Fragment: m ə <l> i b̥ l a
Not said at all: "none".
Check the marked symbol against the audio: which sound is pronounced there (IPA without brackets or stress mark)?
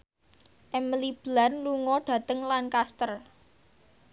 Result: l